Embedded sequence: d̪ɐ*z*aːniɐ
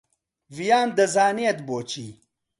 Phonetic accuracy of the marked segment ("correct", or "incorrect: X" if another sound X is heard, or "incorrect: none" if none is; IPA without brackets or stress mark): correct